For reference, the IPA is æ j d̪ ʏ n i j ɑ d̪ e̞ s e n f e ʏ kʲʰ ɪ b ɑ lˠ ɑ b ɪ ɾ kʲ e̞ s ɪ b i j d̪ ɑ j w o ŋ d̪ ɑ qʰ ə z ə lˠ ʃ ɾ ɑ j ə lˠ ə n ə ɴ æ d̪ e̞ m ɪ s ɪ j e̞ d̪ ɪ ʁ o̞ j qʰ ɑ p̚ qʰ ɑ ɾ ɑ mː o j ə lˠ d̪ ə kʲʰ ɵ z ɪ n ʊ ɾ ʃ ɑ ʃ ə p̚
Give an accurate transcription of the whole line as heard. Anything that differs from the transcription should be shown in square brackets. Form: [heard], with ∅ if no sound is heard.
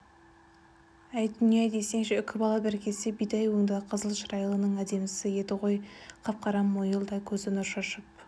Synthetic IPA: æ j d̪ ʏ n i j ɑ d̪ e̞ s e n [ʃ] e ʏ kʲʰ ɪ b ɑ lˠ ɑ b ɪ ɾ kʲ e̞ s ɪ b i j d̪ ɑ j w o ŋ d̪ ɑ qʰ ə z ə lˠ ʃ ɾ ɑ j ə lˠ ə n ə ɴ æ d̪ e̞ m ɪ s ɪ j e̞ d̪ ɪ ʁ o̞ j qʰ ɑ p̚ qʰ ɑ ɾ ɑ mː o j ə lˠ d̪ [ɑ] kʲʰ ɵ z ɪ n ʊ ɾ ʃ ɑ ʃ ə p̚

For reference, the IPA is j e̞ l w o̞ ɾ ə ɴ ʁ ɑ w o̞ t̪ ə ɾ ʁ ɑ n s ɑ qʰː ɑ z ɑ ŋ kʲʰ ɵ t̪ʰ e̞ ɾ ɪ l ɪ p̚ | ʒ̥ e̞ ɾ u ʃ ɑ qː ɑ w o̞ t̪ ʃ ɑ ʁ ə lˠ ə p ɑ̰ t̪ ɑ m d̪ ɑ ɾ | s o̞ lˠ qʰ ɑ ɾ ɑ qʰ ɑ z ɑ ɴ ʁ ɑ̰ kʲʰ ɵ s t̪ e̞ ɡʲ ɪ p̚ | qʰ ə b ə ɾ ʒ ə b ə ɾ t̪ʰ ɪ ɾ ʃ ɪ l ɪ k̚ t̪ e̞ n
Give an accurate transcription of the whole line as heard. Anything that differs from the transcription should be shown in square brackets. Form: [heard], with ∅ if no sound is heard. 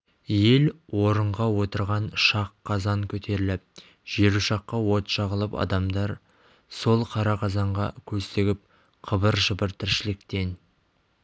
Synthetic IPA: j e̞ l w o̞ ɾ ə ɴ ʁ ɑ w o̞ t̪ ə ɾ ʁ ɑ n [ʃ] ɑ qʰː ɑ z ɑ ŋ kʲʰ ɵ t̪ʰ e̞ ɾ ɪ l ɪ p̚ | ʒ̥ e̞ ɾ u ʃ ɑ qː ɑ w o̞ t̪ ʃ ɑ ʁ ə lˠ ə p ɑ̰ [d̪] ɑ m d̪ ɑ ɾ | s o̞ lˠ qʰ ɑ ɾ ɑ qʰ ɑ z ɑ ɴ ʁ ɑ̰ kʲʰ ɵ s t̪ e̞ ɡʲ ɪ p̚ | qʰ ə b ə ɾ ʒ ə b ə ɾ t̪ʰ ɪ ɾ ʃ ɪ l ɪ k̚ t̪ e̞ n

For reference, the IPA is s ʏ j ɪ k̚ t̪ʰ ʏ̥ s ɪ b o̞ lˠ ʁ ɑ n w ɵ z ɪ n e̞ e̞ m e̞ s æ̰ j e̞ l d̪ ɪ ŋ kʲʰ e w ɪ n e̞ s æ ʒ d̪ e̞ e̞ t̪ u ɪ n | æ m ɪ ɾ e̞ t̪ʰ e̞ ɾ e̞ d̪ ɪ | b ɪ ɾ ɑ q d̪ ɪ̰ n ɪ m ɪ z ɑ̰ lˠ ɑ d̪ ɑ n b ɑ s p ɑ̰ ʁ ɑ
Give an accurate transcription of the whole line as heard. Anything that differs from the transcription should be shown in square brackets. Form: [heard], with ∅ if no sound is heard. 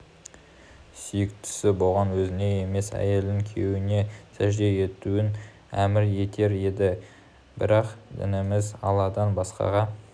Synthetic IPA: s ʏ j ɪ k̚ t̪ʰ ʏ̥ s ɪ b o̞ lˠ ʁ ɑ n w ɵ z ɪ n e̞ e̞ m e̞ s æ̰ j e̞ l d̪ ɪ ŋ kʲʰ e w ɪ n e̞ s æ ʒ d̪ e̞ e̞ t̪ u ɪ n | æ m ɪ ɾ e̞ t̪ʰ e̞ ɾ e̞ d̪ ɪ | b ɪ ɾ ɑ q d̪ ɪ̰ n ɪ m ɪ z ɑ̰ lˠ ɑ d̪ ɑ n b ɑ s [q] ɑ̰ ʁ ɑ

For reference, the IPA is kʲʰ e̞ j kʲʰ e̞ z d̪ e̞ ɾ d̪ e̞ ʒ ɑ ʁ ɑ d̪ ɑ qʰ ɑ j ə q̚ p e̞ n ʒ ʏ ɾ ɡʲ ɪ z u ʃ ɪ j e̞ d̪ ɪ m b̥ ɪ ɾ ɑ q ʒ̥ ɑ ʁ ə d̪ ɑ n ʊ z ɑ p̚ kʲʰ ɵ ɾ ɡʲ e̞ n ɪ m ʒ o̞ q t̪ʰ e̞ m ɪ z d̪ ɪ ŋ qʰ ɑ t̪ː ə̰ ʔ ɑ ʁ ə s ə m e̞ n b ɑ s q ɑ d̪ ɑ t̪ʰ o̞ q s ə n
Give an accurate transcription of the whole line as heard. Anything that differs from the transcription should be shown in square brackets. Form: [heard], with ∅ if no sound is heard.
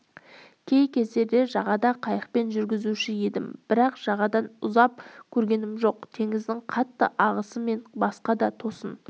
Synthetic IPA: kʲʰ e̞ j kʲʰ e̞ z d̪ e̞ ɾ d̪ e̞ ʒ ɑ ʁ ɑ d̪ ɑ qʰ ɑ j ə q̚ p e̞ n ʒ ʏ ɾ ɡʲ ɪ z u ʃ ɪ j e̞ d̪ ɪ m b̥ ɪ ɾ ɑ q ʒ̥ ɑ ʁ [ɑ] d̪ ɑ n ʊ z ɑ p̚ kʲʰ ɵ ɾ ɡʲ e̞ n ɪ m ʒ o̞ q t̪ʰ e̞ [ŋ] ɪ z d̪ ɪ ŋ qʰ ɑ t̪ː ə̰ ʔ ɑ ʁ ə s ə m e̞ n b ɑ s q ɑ d̪ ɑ t̪ʰ o̞ [∅] s ə n

